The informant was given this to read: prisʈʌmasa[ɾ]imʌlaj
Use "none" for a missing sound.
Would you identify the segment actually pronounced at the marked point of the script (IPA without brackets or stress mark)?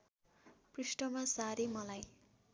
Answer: ɾ